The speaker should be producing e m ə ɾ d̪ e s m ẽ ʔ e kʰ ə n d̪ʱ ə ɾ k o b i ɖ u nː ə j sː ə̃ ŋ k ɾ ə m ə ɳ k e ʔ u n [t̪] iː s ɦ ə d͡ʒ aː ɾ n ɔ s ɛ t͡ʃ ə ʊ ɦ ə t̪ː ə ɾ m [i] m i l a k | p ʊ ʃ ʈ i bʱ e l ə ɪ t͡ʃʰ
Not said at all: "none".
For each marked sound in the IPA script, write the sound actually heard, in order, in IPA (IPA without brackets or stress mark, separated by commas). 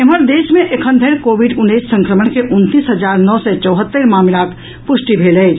t̪, a